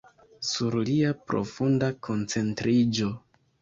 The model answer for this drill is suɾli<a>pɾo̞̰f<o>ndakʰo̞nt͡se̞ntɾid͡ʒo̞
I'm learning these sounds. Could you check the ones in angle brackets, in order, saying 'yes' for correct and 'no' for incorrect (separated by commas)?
yes, no